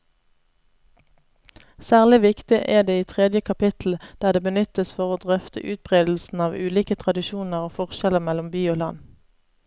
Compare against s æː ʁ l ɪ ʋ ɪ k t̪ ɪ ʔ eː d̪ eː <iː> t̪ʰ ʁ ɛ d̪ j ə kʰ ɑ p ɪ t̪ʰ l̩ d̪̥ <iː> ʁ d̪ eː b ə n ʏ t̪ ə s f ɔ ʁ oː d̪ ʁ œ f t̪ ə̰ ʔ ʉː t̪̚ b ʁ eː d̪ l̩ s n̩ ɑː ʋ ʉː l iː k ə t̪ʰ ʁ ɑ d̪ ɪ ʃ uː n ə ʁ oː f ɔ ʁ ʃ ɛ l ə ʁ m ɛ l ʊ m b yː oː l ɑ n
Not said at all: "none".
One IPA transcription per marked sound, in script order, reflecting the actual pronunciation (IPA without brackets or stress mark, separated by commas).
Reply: iː, æː